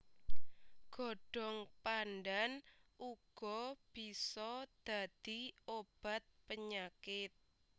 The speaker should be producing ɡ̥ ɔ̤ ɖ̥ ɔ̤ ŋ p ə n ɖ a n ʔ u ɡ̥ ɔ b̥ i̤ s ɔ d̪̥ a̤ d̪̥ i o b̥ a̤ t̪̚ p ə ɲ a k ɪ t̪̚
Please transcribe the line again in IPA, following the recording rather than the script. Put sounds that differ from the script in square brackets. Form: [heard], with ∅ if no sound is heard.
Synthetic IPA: ɡ̥ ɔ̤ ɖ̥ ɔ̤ ŋ p [a] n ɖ a n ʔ u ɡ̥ ɔ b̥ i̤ s ɔ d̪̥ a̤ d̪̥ i o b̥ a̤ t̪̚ p ə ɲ a k ɪ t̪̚